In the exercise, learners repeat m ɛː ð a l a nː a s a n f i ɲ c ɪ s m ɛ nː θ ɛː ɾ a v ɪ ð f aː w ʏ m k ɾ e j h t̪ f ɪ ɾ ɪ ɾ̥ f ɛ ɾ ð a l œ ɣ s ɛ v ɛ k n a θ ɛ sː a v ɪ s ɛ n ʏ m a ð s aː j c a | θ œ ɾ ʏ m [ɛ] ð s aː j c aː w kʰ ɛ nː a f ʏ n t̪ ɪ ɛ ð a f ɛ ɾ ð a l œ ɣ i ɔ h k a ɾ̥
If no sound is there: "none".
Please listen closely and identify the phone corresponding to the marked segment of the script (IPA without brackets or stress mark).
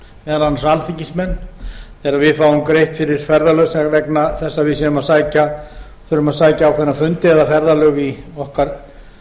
a